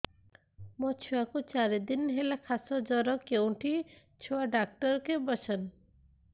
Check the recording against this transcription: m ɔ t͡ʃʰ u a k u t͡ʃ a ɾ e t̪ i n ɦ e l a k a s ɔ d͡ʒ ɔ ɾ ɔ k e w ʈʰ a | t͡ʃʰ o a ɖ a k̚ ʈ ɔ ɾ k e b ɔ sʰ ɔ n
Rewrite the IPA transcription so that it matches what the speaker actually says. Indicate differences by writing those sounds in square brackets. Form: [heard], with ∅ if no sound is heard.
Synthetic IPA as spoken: m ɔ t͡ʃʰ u a k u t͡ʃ a ɾ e [d̪] i n ɦ e l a [kʰ] a s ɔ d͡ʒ ɔ ɾ ɔ k e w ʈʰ [i] | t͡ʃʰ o a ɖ a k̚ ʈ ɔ ɾ k e b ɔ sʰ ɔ n